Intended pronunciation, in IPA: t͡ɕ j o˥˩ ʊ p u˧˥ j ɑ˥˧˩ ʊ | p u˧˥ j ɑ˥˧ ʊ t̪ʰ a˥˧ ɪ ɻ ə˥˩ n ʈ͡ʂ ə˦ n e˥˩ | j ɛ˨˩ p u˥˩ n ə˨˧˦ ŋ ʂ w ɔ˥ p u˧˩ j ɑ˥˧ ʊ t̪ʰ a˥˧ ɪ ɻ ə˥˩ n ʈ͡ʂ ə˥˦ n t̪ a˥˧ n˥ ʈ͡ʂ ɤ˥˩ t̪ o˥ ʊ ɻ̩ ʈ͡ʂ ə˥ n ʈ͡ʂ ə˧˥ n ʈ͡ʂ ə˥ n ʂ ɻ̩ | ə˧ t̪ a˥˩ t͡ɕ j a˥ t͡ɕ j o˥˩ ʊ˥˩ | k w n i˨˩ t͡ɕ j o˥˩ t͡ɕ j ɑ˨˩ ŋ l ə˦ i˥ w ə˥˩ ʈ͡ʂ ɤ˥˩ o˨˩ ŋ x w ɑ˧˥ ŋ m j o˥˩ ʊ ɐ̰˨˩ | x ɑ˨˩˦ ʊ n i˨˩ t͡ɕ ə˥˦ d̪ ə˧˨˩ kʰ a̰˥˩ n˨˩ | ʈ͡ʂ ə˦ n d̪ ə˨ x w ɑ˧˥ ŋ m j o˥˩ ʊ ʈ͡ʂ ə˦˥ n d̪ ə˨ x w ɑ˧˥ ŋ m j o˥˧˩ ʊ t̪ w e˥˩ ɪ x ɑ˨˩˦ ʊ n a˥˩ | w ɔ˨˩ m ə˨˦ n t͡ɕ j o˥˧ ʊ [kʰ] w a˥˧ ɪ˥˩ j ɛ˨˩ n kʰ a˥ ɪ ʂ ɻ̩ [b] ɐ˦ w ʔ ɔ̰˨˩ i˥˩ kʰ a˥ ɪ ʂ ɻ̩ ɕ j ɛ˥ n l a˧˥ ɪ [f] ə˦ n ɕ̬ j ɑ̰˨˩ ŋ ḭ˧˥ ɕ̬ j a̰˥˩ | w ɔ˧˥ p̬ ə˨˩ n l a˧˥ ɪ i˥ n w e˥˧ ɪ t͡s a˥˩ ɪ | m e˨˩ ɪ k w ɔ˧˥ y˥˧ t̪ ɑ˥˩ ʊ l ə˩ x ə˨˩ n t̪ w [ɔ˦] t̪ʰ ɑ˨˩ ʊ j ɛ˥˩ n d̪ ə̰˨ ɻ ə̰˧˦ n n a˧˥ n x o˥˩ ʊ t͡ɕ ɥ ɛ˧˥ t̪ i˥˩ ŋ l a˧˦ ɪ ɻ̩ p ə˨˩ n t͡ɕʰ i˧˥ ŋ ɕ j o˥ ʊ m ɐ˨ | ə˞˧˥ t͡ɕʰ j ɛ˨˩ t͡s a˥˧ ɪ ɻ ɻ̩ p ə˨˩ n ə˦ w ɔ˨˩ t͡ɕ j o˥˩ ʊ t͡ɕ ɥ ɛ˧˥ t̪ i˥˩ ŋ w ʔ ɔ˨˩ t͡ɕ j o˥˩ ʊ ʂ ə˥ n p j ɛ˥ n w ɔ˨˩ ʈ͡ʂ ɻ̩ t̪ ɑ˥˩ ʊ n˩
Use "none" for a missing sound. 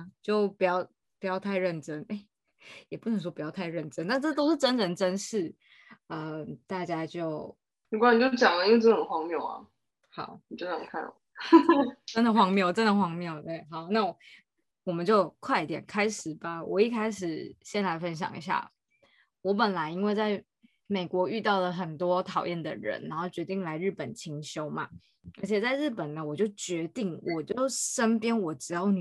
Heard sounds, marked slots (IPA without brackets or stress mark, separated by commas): kʰ, b, f, ɔ˦